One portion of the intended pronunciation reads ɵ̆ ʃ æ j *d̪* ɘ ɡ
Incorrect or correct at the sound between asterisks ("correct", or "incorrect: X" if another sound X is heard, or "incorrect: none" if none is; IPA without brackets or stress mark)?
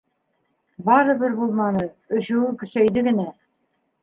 correct